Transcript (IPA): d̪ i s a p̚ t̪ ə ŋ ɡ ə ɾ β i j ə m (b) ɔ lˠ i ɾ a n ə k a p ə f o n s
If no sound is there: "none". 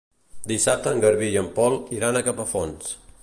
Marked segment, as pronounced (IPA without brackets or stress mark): p